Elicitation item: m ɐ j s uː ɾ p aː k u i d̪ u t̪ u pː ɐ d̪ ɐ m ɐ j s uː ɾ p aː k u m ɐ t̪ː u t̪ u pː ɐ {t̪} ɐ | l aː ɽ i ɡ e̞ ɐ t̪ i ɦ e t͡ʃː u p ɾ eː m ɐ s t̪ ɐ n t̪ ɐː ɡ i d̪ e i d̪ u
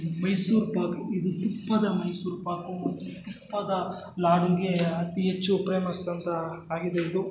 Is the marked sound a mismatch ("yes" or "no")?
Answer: yes